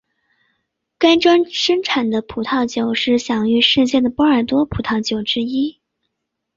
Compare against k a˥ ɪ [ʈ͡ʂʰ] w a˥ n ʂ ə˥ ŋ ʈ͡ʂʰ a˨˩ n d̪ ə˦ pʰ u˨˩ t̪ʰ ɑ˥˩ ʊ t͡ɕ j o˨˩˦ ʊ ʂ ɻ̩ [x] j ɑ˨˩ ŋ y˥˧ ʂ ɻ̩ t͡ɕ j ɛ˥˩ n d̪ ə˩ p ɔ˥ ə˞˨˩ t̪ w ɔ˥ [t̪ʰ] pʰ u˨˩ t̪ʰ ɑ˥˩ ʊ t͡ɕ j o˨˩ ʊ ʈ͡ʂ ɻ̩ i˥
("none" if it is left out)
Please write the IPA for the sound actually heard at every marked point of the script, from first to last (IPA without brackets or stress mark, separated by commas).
ʈ͡ʂ, ɕ, none